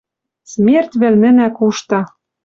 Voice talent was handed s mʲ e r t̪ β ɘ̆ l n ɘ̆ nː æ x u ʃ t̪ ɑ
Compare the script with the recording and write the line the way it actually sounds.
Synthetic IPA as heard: s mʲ e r t̪ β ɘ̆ l n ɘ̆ n æ k u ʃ t̪ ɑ